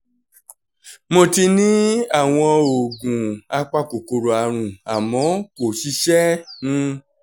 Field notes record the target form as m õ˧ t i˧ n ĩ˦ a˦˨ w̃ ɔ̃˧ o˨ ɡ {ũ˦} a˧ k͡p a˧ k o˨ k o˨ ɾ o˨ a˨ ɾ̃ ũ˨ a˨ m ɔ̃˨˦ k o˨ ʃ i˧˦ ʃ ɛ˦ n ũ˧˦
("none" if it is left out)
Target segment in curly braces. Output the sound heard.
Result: ũ˨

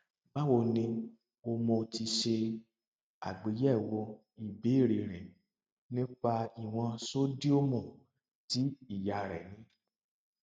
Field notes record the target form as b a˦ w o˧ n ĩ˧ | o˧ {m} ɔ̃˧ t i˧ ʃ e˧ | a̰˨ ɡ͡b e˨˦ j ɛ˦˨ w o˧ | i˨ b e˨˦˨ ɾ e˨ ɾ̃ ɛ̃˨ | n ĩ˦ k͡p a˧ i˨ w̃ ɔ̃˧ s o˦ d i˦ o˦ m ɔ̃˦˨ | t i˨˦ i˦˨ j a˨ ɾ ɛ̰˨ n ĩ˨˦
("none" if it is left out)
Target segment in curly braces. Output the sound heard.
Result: m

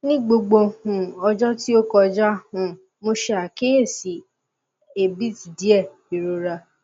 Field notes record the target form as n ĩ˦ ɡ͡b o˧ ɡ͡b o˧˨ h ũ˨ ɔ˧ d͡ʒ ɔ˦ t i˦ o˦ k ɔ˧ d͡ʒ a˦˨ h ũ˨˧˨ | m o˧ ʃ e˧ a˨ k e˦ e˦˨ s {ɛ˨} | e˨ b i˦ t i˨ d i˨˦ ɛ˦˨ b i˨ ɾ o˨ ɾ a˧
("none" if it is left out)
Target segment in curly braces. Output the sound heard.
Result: i˨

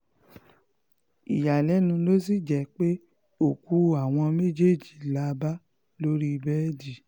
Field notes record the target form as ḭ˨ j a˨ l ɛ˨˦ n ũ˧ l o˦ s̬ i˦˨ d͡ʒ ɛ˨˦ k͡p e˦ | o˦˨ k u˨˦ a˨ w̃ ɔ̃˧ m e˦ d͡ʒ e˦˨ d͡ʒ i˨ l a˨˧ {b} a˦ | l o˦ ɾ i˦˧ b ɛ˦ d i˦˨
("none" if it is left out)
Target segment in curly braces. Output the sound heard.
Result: b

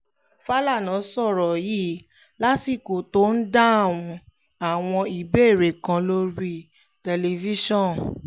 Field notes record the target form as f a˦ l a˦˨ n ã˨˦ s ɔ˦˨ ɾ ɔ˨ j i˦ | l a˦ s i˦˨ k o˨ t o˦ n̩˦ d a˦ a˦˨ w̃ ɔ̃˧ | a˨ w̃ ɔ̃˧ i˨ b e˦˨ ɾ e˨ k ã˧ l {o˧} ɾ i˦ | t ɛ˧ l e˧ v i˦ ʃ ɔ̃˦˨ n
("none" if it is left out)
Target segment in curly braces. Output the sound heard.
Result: o˧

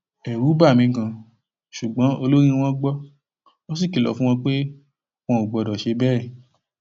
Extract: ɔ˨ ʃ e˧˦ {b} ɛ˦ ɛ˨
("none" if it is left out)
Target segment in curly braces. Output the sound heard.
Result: b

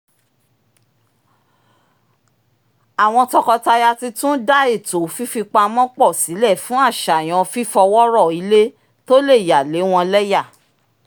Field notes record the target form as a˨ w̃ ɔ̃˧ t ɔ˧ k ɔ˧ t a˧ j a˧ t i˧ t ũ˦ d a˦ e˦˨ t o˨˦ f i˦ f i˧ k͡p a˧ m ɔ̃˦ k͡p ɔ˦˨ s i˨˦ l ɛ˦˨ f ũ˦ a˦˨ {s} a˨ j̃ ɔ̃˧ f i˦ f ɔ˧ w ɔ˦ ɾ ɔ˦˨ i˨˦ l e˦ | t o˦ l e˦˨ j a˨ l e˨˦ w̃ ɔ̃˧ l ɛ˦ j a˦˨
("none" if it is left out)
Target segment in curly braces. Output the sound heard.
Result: ʃ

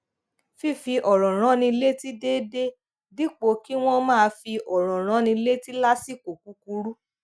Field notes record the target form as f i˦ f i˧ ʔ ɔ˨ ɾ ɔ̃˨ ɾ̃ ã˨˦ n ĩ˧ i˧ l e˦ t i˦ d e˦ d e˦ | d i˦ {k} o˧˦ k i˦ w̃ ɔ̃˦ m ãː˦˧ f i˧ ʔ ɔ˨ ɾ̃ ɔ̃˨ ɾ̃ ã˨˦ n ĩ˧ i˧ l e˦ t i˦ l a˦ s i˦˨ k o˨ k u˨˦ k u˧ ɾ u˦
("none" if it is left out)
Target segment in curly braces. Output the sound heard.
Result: k͡p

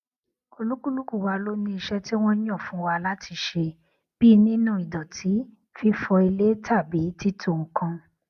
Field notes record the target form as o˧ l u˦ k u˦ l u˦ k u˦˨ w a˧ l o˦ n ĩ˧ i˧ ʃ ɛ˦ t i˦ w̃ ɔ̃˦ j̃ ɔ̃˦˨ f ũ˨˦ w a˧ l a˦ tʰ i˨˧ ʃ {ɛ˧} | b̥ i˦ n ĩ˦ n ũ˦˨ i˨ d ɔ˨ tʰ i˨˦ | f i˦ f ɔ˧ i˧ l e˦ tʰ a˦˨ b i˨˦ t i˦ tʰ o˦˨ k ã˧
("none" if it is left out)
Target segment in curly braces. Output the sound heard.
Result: e˧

